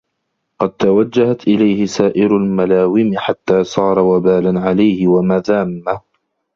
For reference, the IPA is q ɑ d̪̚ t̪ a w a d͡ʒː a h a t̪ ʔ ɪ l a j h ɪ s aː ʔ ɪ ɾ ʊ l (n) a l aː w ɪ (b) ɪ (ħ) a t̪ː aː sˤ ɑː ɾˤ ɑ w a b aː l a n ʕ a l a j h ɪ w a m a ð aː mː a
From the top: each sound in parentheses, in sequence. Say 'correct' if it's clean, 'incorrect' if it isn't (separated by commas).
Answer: incorrect, incorrect, correct